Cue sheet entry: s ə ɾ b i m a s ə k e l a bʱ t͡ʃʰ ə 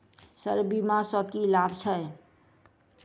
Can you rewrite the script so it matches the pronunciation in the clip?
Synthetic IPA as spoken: s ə ɾ b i m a s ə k i l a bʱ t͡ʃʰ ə